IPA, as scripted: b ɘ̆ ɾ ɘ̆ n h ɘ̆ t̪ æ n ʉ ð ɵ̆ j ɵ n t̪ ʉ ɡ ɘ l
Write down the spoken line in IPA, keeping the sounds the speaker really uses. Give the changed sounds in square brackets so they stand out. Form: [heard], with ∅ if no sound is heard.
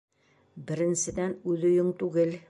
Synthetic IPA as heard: b ɘ̆ ɾ ɘ̆ n [s] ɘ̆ [d̪] æ n ʉ ð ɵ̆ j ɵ [ŋ] t̪ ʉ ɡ ɘ l